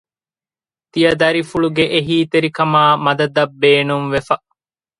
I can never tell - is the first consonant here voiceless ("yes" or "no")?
yes